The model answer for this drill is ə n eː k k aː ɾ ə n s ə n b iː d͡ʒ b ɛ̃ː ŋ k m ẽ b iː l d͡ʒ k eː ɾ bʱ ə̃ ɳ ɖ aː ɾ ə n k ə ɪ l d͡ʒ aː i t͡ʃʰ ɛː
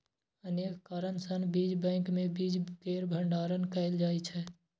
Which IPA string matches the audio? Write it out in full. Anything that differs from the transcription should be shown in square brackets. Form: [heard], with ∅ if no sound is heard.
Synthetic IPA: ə n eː k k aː ɾ ə n s ə n b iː d͡ʒ b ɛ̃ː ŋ k m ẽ b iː [∅] d͡ʒ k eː ɾ bʱ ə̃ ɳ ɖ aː ɾ ə n k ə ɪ l d͡ʒ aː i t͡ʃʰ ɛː